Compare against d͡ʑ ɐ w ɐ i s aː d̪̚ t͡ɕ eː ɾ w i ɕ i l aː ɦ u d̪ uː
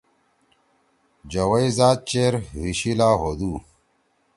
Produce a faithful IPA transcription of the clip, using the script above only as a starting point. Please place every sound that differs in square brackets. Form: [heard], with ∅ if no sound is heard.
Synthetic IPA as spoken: d͡ʑ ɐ w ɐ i [z] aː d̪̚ t͡ɕ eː ɾ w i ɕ i l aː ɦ [o] d̪ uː